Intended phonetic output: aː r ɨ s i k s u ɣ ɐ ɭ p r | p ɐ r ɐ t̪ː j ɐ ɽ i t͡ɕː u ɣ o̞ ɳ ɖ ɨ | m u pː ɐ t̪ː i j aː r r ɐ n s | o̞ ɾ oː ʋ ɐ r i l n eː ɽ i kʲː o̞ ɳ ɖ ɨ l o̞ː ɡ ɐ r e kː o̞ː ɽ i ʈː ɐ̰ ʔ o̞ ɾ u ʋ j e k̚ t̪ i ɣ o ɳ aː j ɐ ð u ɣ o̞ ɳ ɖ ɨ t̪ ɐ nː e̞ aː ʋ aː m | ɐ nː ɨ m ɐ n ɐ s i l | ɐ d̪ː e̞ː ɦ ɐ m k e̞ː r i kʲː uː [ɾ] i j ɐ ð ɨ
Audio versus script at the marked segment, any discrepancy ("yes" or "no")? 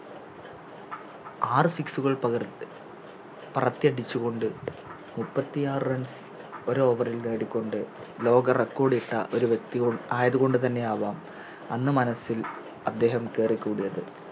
yes